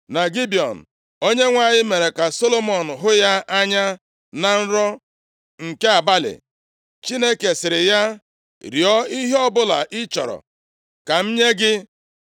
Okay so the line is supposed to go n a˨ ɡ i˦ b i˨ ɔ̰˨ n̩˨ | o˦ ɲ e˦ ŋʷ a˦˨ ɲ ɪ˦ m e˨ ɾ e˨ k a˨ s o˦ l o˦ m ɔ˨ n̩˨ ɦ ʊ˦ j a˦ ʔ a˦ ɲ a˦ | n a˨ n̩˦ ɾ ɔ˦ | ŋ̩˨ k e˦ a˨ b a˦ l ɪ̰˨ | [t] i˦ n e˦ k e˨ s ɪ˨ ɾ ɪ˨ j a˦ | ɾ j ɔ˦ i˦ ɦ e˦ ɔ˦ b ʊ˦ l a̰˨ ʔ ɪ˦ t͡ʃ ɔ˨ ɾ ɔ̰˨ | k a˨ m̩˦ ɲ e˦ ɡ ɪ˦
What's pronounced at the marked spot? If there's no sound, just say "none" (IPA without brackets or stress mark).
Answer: t͡ʃ